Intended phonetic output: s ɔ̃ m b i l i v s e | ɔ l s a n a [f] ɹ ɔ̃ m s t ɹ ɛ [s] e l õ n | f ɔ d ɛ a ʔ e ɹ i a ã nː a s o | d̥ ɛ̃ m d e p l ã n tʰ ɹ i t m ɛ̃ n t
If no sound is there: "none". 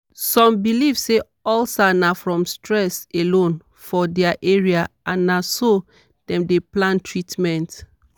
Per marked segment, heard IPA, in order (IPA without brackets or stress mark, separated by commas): f, s